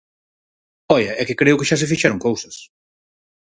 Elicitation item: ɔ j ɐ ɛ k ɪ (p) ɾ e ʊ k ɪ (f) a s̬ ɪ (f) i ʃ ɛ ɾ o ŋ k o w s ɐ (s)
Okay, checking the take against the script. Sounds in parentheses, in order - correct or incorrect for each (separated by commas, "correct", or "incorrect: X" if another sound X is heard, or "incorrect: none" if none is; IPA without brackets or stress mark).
incorrect: k, incorrect: ʃ, correct, correct